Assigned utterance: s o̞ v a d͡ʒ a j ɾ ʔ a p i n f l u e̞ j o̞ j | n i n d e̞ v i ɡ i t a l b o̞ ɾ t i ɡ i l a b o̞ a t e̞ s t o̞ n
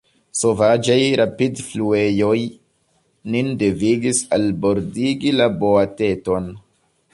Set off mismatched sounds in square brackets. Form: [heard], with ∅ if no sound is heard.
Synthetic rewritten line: s o̞ v a d͡ʒ a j ɾ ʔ a p i [d] f l u e̞ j o̞ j | n i n d e̞ v i ɡ i [s] a l b o̞ ɾ [d] i ɡ i l a b o̞ a t e̞ [∅] t o̞ n